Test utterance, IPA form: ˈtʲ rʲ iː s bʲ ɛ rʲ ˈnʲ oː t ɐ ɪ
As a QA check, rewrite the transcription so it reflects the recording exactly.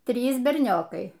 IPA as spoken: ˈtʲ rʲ iː s bʲ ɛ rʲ ˈnʲ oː k ɐ ɪ